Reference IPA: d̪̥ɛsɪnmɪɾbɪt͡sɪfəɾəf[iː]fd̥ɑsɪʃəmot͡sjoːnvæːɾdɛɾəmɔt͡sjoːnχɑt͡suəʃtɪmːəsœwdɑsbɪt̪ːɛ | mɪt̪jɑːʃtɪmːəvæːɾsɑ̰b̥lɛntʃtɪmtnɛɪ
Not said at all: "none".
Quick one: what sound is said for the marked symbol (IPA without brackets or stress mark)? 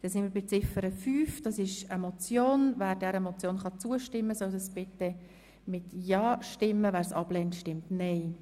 yː